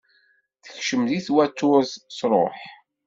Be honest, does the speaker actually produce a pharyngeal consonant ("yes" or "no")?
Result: yes